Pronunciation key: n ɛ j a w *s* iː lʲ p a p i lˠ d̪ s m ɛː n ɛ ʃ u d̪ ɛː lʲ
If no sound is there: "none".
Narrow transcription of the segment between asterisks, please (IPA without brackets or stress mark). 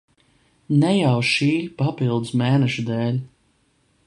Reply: ʃ